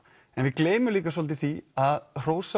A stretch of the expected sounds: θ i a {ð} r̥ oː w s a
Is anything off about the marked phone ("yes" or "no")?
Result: no